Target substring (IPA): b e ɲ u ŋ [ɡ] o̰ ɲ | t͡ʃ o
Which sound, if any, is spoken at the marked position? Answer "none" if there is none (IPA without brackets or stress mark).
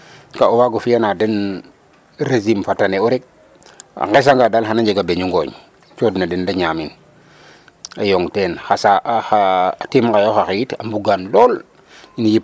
ɡ